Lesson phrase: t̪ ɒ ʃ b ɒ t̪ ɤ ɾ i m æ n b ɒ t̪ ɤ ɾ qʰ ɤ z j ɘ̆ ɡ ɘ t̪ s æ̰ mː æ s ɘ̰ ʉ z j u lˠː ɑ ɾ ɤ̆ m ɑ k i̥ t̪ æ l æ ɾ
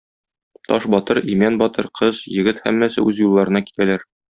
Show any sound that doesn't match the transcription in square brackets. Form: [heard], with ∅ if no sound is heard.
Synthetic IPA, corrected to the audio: t̪ ɒ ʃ b ɒ t̪ ɤ ɾ i m æ n b ɒ t̪ ɤ ɾ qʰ ɤ z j ɘ̆ ɡ ɘ t̪ [h] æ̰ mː æ s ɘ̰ ʉ z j u lˠː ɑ ɾ ɤ̆ [n] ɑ k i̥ t̪ æ l æ ɾ